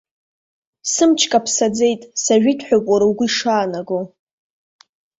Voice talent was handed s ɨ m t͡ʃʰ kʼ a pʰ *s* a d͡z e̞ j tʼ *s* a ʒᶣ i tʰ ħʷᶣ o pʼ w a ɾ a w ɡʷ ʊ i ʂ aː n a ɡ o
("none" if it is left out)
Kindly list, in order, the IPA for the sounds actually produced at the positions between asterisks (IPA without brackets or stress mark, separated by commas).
s, s